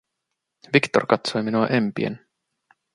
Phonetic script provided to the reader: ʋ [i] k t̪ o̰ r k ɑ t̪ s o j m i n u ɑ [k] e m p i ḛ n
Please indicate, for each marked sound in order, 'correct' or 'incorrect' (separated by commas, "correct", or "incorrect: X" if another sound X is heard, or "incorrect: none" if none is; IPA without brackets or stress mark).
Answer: correct, incorrect: ʔ